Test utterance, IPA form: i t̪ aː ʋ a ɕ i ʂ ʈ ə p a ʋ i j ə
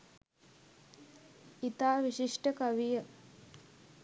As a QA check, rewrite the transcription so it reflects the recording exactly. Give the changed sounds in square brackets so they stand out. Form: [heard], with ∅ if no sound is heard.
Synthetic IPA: i t̪ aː ʋ [i] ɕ i ʂ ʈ ə [k] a ʋ i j ə